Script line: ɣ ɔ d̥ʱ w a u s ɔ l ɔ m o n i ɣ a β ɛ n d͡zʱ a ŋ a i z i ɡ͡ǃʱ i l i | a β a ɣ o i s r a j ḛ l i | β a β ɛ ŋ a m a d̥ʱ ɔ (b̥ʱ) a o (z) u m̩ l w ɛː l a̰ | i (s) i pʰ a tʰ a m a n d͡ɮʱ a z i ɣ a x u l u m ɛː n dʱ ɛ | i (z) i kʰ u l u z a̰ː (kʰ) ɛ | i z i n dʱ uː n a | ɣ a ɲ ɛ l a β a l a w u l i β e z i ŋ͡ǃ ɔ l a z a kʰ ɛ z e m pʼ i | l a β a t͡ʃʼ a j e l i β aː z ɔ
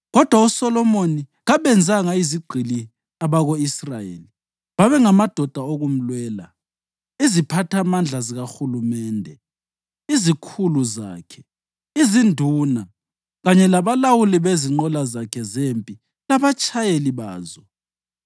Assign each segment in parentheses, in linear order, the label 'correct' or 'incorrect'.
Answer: incorrect, incorrect, incorrect, correct, correct

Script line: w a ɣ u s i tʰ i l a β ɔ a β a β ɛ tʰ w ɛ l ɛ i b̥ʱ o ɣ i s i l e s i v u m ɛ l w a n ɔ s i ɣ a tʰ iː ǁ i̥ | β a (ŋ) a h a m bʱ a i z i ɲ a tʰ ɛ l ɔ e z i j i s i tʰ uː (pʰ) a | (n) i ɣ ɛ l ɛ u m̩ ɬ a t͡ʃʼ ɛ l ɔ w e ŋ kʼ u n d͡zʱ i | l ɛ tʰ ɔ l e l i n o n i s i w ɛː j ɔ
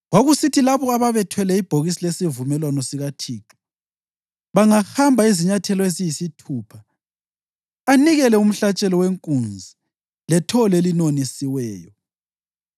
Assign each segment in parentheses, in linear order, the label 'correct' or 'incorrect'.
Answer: correct, correct, correct

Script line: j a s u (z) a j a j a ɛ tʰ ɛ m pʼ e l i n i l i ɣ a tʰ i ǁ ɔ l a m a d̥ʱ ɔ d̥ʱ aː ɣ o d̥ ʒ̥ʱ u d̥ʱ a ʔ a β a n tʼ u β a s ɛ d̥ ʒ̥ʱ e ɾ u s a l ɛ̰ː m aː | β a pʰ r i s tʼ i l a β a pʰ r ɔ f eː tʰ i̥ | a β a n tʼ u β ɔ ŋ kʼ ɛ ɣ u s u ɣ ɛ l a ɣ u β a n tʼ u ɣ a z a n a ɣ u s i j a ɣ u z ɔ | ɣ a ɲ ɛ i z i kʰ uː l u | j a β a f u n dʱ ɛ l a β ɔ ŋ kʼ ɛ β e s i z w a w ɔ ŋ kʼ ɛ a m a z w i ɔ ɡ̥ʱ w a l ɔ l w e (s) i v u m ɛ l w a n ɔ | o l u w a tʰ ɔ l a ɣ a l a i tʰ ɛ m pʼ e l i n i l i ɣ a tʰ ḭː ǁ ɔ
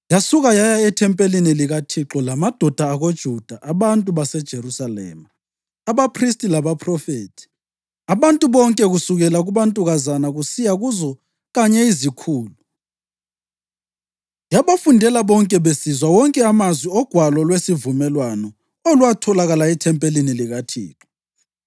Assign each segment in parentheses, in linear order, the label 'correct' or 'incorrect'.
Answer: incorrect, correct

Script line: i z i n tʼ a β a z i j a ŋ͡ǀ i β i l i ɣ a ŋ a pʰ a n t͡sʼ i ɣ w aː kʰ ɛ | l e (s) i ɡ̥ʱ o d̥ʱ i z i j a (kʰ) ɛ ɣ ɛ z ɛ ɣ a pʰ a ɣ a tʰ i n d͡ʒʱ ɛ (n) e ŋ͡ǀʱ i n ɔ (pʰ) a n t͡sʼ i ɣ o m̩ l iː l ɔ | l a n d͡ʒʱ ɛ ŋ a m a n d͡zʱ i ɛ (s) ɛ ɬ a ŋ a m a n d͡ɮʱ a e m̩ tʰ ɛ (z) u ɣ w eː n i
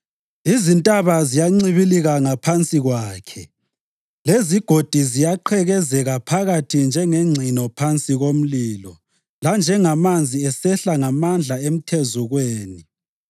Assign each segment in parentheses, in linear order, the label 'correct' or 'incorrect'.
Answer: incorrect, incorrect, incorrect, correct, correct, correct

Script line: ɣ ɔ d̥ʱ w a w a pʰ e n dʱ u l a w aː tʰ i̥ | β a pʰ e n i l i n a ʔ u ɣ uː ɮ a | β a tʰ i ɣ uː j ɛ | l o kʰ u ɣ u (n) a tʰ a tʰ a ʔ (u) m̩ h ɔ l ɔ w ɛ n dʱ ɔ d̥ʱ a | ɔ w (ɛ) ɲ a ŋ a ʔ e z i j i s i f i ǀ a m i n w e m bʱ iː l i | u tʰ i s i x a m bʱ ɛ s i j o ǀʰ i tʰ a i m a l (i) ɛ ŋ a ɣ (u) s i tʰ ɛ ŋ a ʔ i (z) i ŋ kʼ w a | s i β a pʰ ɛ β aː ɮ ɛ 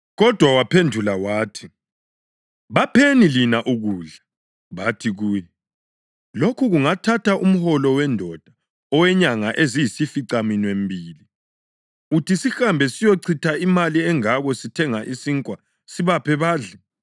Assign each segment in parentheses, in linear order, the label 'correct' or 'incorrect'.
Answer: incorrect, correct, correct, correct, incorrect, incorrect

